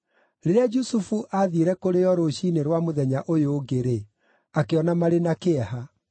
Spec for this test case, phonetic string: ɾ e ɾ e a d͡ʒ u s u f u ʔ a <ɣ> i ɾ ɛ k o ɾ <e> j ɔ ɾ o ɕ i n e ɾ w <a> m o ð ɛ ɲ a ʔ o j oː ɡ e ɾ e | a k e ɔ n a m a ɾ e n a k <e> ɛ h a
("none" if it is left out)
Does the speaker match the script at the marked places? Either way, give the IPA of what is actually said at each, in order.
ð, e, a, e

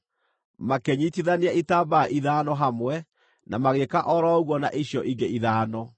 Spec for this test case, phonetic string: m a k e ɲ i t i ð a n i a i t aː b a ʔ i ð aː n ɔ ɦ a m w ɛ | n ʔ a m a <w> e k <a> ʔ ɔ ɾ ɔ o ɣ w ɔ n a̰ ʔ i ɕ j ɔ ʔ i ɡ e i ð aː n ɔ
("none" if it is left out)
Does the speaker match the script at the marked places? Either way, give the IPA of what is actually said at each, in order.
ɣ, a

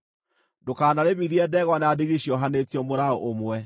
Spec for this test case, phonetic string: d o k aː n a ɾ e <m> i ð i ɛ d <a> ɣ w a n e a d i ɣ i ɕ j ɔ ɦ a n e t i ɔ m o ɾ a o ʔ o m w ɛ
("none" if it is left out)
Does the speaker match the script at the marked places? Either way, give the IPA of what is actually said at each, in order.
m, ɛ

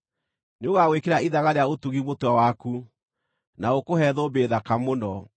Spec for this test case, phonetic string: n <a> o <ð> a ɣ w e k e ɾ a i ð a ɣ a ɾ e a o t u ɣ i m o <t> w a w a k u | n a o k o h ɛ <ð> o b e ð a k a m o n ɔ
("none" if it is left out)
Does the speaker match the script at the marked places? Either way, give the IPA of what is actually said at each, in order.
e, ɣ, t, ð

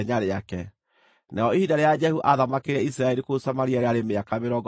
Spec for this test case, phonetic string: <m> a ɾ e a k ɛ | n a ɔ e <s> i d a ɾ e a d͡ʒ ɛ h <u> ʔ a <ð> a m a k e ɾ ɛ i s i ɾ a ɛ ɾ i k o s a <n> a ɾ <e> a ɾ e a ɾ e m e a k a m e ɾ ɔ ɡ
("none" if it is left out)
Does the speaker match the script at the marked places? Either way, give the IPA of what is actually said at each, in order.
ɲ, h, u, ð, m, i

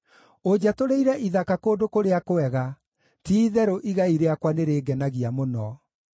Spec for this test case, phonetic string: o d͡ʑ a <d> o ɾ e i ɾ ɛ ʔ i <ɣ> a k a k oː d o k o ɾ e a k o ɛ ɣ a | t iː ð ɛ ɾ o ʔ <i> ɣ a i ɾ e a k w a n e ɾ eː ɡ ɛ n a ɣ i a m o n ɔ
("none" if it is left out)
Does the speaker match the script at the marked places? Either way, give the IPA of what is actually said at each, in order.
t, ð, i

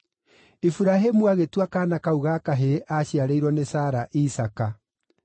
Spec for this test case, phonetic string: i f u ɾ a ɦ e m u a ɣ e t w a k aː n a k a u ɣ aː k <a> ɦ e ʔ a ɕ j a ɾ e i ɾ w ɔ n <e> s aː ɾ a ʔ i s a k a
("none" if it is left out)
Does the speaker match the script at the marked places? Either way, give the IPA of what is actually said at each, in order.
a, e

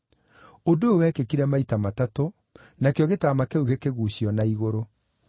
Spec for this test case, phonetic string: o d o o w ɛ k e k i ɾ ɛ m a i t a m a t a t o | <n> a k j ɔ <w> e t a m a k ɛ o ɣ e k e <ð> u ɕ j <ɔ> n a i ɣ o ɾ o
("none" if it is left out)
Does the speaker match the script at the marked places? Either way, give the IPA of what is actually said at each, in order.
n, ɣ, ɣ, ɔ

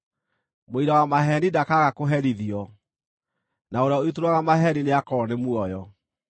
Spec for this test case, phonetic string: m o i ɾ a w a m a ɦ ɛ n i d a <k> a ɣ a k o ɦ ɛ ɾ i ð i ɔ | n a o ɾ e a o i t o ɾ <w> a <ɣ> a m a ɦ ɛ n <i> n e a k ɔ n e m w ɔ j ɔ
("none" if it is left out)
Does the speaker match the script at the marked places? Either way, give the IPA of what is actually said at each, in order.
k, w, ɣ, i

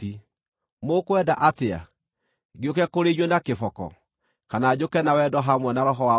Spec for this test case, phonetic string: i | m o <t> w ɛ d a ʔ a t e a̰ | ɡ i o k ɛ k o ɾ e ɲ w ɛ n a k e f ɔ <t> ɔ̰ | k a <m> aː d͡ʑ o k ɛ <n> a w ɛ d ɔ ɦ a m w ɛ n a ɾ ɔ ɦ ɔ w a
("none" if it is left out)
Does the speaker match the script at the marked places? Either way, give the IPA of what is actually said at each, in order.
k, k, n, n

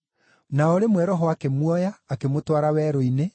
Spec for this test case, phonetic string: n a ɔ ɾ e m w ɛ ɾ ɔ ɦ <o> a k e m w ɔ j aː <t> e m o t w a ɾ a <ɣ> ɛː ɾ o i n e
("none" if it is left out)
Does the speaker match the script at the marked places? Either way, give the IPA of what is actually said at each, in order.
ɔ, k, w

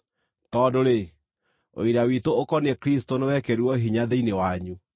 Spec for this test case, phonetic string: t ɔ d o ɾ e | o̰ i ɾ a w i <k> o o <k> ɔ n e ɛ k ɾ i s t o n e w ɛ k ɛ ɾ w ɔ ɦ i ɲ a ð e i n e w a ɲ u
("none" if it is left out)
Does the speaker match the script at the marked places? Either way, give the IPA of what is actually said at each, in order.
t, k

